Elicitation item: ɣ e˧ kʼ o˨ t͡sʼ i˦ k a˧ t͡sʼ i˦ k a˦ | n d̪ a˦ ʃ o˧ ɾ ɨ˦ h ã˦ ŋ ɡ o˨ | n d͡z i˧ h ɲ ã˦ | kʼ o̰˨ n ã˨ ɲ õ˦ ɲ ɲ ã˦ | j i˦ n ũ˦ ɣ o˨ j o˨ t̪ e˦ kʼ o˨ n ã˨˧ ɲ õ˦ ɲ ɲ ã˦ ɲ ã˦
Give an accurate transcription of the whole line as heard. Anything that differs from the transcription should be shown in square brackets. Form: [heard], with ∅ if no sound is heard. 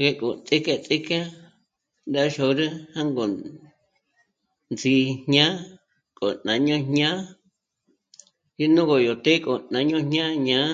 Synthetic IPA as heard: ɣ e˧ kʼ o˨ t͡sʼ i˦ k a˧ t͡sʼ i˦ k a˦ | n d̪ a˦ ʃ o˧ ɾ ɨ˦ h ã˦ ŋ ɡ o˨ | n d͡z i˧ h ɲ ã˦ | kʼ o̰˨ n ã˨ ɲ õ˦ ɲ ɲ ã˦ | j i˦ n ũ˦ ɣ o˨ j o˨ t̪ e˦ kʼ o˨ n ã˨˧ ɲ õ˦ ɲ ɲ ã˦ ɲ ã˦